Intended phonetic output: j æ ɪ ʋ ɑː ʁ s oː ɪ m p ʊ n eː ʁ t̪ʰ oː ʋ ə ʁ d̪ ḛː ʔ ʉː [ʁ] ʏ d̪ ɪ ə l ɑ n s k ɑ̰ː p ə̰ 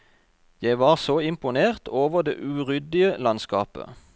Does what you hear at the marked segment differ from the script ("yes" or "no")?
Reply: no